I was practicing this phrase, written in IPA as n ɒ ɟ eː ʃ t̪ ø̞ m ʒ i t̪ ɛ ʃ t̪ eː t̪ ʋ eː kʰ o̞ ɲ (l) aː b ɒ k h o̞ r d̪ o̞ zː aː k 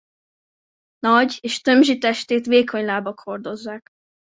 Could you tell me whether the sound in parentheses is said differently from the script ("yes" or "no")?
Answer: no